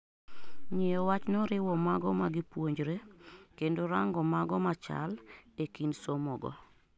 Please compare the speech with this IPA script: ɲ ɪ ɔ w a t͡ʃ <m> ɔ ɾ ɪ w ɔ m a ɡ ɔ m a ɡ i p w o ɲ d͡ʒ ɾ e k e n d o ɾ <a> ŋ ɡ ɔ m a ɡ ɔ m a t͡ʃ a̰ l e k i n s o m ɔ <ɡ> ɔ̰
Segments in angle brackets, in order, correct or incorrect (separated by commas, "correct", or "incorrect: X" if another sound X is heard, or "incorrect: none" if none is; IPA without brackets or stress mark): incorrect: n, correct, correct